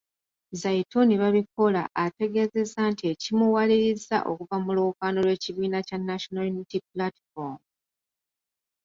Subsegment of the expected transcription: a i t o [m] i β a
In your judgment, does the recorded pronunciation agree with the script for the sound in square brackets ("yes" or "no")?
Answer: no